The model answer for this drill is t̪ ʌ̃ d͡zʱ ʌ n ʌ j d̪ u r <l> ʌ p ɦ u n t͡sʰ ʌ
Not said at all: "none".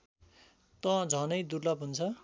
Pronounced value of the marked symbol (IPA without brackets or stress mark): l